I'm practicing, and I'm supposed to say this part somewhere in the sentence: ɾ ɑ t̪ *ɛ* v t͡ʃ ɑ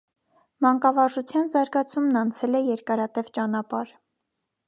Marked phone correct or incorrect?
correct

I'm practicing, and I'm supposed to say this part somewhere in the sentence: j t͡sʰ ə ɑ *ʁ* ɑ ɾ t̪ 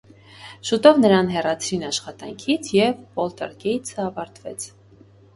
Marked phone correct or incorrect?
incorrect: v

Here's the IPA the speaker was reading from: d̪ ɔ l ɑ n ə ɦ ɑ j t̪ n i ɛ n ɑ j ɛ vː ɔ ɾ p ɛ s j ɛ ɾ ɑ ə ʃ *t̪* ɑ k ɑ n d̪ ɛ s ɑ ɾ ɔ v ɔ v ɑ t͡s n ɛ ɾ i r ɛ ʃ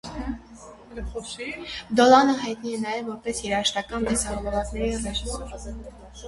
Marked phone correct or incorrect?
correct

